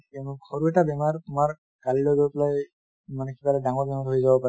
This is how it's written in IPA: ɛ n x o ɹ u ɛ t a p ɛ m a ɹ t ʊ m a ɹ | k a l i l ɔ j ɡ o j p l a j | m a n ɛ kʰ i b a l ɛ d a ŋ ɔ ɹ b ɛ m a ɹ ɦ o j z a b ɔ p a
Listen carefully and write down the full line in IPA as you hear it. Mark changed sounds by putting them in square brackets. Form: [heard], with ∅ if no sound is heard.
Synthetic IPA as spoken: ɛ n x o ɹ u ɛ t a [b] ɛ m a ɹ t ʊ m a ɹ | k a l i l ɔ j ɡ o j p l a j | m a n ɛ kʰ i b a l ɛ d a ŋ ɔ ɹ b ɛ m a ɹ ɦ o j z a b ɔ p a

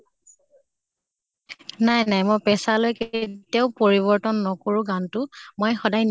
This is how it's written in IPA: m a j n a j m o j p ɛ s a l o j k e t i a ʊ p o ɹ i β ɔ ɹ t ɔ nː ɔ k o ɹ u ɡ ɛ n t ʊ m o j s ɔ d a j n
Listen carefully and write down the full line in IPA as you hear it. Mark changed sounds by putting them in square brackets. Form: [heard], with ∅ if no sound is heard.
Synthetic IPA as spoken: [n] a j n a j m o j p ɛ s a l o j k e t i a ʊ p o ɹ i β ɔ ɹ t ɔ nː ɔ k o ɹ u ɡ [a] n t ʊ m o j [x] ɔ d a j n

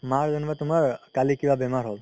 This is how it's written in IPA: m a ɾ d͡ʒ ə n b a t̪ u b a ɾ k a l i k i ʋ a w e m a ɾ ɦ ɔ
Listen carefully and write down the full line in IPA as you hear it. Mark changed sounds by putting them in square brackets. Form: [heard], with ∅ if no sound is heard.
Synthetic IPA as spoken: m a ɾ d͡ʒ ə n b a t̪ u [m] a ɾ k a l i k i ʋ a [b] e m a ɾ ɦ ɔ

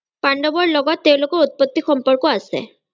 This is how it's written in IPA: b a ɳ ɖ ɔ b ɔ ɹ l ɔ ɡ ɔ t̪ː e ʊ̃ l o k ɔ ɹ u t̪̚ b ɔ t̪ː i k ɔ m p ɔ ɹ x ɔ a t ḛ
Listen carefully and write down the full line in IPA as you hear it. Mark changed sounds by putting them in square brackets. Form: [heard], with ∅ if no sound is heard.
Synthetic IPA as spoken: [p] a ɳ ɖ ɔ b ɔ ɹ l ɔ ɡ ɔ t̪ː e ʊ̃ l o k ɔ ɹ u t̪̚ [p] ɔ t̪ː i [x] ɔ m p ɔ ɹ [k] ɔ a [s] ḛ

